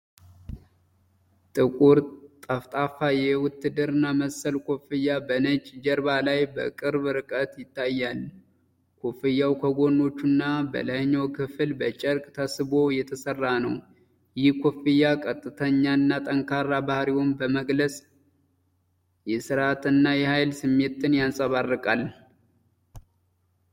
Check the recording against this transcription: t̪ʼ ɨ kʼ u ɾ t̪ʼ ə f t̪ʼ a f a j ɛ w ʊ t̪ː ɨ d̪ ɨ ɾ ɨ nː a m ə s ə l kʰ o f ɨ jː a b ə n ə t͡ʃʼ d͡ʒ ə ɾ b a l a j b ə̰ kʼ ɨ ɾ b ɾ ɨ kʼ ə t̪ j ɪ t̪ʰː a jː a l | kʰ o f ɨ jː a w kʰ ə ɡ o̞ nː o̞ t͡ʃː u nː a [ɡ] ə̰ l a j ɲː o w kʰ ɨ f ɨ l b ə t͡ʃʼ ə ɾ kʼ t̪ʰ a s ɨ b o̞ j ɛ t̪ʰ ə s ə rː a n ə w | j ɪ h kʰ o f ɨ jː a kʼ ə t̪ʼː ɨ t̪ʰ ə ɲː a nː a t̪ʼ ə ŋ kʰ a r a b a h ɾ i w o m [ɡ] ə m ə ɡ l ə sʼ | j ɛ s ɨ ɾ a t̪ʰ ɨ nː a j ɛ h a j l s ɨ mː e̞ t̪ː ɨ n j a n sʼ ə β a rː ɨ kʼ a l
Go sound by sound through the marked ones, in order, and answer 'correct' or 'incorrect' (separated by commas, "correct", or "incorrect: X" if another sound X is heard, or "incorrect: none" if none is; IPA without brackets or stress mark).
incorrect: b, incorrect: b